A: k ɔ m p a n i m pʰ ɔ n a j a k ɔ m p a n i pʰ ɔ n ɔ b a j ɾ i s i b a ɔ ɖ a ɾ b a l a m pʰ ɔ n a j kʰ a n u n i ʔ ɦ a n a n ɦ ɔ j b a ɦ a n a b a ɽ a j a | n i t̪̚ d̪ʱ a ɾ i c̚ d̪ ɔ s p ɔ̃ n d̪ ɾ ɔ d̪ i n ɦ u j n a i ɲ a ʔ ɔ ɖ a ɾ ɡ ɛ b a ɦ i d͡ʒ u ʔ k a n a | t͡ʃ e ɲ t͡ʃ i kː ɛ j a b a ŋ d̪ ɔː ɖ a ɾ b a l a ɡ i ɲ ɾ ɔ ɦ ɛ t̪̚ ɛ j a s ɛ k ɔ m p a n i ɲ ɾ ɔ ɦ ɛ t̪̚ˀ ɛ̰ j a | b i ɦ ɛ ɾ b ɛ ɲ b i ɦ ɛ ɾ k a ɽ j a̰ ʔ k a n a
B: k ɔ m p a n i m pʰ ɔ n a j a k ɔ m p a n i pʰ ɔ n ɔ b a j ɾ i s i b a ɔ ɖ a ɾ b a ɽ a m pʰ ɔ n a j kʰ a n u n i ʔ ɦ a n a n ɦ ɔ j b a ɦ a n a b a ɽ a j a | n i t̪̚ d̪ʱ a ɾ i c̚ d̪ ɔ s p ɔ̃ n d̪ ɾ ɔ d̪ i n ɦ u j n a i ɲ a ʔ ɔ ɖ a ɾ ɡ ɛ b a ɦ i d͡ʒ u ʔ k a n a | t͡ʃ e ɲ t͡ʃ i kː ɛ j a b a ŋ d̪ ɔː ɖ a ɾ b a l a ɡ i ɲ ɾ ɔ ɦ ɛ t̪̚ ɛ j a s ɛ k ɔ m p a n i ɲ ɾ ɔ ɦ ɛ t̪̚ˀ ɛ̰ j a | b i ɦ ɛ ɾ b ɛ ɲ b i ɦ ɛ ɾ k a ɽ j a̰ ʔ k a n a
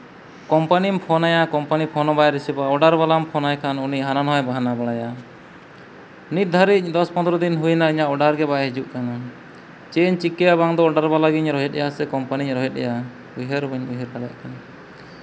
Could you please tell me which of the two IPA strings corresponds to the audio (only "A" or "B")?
A